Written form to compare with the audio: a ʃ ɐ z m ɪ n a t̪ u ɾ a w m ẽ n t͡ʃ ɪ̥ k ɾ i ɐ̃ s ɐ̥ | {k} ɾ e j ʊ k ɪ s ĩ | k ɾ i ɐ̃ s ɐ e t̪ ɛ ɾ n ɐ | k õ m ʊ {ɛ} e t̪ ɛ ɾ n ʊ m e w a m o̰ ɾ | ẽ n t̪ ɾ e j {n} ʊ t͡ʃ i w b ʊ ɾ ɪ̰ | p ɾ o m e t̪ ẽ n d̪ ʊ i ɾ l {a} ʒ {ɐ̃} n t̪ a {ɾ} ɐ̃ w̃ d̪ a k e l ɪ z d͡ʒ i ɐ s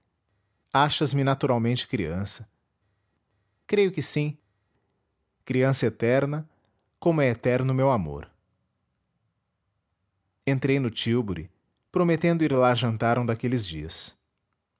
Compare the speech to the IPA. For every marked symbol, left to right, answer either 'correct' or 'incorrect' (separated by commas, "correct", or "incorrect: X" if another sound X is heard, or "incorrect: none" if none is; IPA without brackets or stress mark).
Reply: correct, correct, correct, correct, correct, correct